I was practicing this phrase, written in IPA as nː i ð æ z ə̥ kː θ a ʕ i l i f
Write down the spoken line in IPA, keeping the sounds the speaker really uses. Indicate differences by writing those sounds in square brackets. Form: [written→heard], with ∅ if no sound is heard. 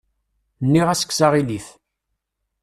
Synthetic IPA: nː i [ð→ʁ] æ [z→s] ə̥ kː [θ→s] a [ʕ→ʁ] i l i [f→θ]